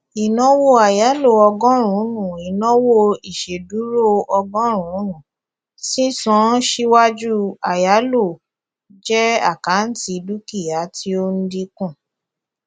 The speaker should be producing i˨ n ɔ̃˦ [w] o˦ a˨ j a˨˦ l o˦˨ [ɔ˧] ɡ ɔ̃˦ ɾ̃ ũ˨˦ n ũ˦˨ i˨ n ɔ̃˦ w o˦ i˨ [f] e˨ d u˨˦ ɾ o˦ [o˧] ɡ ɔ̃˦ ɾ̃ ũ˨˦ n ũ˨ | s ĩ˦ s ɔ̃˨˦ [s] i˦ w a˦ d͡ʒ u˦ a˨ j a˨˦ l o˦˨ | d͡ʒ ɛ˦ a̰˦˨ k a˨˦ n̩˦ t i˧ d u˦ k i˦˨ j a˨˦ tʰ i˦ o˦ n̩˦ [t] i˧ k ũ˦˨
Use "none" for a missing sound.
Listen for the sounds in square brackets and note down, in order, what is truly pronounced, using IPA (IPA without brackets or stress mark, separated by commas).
w, ɔ˧, ʃ, ɔ˧, ʃ, d